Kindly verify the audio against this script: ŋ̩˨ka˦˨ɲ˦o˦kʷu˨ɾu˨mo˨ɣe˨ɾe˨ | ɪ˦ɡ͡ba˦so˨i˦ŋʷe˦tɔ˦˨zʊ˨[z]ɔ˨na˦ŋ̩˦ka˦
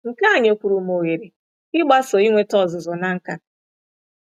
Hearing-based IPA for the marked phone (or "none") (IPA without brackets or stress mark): z